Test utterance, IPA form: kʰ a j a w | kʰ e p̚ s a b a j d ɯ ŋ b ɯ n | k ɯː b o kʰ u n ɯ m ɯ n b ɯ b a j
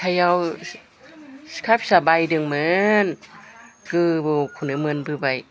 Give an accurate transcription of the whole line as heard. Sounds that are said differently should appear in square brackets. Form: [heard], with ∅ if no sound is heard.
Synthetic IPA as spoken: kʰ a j a w | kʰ [a] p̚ s a b a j d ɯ ŋ [m] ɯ n | k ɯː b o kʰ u n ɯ m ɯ n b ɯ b a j